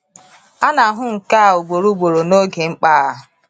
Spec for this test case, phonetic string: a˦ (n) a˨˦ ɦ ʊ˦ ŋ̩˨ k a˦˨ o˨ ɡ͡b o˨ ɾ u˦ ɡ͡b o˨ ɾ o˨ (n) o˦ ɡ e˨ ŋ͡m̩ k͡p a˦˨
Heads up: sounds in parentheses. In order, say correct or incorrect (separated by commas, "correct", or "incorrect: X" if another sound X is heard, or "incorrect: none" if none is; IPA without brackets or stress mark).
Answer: correct, correct